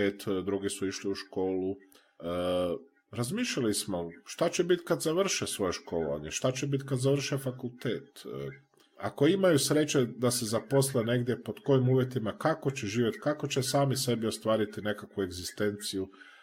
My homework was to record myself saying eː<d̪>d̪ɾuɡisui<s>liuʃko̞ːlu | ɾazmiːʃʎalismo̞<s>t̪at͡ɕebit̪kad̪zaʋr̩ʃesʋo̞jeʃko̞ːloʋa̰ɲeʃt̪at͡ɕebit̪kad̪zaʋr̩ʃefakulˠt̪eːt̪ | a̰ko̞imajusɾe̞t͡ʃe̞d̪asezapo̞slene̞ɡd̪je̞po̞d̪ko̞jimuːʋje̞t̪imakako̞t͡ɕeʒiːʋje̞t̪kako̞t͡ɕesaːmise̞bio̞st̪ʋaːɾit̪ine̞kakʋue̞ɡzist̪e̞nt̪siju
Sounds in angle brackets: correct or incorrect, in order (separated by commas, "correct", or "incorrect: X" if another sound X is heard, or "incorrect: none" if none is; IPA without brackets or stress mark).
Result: incorrect: t̪, incorrect: ʃ, incorrect: ʃ